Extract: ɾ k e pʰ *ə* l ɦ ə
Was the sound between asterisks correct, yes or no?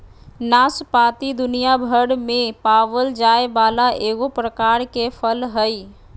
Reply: yes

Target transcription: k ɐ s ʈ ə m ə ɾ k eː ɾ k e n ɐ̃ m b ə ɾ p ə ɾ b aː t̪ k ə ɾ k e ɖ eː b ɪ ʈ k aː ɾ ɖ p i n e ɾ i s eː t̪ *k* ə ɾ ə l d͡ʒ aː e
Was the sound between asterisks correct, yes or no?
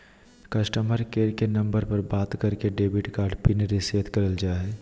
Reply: yes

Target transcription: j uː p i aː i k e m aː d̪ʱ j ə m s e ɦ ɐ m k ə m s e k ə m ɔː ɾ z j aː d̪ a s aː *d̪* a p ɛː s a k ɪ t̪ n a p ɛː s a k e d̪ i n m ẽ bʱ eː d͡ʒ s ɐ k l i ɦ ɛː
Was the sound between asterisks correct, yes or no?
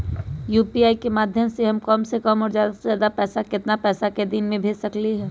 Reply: yes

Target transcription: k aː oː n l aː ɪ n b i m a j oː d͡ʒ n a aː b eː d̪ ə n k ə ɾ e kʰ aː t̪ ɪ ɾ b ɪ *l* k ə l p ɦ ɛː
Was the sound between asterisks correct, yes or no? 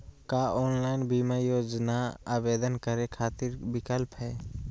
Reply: no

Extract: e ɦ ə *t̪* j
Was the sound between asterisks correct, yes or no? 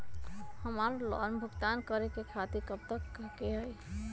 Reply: no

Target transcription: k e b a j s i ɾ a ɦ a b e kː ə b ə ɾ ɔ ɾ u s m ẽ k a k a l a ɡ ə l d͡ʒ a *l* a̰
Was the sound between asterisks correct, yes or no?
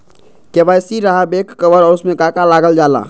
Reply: yes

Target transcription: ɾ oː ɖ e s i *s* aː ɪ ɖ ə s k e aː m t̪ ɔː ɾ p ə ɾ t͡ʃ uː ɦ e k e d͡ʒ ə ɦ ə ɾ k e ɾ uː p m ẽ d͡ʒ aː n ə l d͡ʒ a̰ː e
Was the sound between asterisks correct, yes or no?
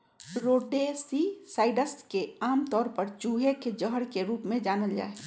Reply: yes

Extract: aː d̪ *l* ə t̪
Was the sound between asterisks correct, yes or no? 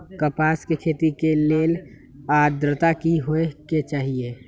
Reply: no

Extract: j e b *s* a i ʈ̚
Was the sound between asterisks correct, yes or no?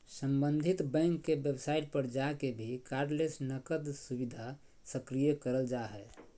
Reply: yes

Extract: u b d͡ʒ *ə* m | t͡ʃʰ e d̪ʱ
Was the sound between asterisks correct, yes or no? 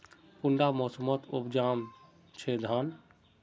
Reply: no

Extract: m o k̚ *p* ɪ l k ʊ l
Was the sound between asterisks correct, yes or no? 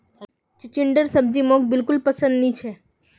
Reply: no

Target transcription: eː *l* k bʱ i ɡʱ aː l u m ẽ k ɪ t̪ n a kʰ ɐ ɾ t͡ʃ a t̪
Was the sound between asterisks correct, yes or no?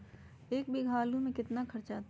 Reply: no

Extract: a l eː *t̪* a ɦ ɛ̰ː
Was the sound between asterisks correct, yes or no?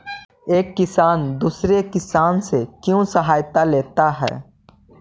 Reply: yes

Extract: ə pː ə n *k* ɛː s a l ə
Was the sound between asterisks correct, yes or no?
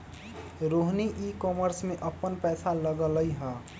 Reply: no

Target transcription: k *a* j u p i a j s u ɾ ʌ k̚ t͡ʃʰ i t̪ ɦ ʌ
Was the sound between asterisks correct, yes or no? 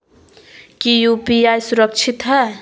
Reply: no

